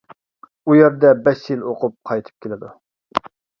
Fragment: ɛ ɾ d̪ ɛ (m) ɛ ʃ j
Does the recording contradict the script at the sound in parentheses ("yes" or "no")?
yes